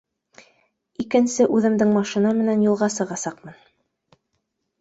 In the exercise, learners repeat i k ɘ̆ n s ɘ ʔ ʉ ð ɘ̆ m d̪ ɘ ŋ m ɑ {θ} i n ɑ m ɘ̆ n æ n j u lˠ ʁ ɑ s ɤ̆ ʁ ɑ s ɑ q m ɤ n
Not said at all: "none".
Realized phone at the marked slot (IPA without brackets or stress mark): ʃ